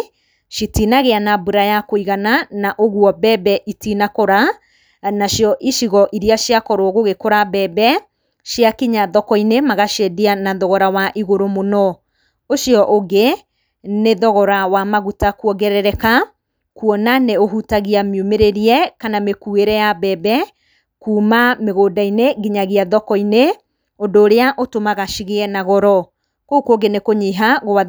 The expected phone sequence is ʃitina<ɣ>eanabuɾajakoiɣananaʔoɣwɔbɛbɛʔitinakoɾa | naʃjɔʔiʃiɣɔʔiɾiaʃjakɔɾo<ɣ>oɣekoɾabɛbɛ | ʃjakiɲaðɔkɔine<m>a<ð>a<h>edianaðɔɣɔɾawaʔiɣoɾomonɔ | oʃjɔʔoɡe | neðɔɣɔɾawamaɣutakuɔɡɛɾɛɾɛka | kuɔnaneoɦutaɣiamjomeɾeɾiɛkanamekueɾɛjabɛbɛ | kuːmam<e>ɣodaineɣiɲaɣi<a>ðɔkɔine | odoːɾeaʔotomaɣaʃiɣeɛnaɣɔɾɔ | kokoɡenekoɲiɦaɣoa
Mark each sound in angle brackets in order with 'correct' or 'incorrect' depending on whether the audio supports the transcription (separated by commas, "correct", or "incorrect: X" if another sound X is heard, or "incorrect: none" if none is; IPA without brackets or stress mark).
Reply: correct, correct, correct, incorrect: ɣ, incorrect: ʃ, correct, correct